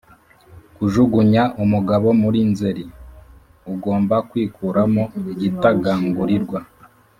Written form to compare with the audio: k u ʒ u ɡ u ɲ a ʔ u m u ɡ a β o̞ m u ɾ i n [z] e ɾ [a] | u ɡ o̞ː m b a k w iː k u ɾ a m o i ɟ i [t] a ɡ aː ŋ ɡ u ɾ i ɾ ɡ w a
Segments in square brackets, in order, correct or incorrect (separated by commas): correct, incorrect, correct